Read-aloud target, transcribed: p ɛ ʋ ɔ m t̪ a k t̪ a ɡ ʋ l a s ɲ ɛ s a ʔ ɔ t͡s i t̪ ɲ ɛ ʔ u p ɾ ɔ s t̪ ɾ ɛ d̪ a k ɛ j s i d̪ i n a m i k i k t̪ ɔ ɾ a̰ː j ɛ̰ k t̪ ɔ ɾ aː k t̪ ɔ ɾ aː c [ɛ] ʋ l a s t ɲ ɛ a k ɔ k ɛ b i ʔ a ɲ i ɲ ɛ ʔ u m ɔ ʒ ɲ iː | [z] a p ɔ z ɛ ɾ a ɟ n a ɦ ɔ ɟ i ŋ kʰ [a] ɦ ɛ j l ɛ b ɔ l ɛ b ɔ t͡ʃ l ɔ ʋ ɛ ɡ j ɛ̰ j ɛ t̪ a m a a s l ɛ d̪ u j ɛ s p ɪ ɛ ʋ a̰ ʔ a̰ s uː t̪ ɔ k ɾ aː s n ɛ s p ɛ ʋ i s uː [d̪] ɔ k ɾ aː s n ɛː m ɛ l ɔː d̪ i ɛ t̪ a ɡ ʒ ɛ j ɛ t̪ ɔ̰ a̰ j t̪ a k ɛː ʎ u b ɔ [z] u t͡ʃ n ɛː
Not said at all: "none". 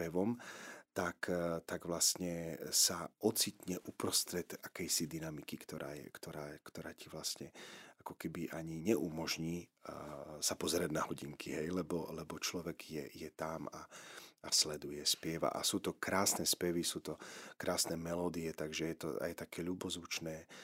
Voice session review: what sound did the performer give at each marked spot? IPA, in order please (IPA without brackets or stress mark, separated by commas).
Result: i, s, i, t̪, z